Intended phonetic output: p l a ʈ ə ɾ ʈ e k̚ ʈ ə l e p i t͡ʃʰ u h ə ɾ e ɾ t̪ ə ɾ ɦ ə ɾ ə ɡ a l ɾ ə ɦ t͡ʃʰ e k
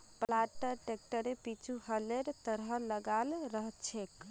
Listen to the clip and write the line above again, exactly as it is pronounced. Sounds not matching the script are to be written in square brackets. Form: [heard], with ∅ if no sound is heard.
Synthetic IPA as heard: p l a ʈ ə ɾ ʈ e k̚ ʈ ə [ɾ] e p i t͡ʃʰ u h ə [l] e ɾ t̪ ə ɾ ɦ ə [l] ə ɡ a l ɾ ə ɦ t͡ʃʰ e k